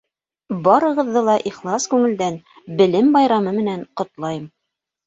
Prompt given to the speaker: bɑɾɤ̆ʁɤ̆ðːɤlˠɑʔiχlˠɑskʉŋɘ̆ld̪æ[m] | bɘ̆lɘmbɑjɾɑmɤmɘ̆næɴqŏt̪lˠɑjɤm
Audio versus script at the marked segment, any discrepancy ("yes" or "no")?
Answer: yes